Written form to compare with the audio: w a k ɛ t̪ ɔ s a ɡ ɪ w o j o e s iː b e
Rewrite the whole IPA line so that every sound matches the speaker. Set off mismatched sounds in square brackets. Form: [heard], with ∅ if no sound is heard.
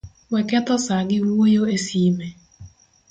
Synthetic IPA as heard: w [ɛ] k ɛ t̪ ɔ s a ɡ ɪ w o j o e s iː [m] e